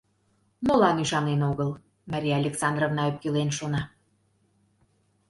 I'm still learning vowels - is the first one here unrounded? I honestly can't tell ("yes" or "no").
no